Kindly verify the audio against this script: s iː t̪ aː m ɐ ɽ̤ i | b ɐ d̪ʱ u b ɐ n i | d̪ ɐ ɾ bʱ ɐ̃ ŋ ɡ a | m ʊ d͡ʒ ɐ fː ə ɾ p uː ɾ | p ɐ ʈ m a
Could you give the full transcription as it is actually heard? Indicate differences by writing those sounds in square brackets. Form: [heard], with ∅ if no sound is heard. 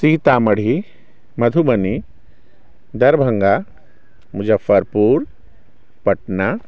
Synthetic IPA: s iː t̪ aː m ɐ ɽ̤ i | [m] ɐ d̪ʱ u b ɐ n i | d̪ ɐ ɾ bʱ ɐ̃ ŋ ɡ a | m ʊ d͡ʒ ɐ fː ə ɾ p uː ɾ | p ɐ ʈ [n] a